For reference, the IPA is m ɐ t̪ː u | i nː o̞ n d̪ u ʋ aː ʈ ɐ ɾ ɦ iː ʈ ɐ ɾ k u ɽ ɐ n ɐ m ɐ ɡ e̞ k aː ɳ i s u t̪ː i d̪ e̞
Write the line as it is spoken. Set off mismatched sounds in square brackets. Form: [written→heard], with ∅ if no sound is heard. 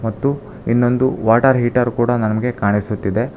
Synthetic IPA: m ɐ t̪ː u | i nː o̞ n d̪ u ʋ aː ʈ ɐ ɾ ɦ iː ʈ ɐ ɾ k [u→uː] ɽ ɐ n ɐ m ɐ ɡ e̞ k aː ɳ i s u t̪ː i d̪ e̞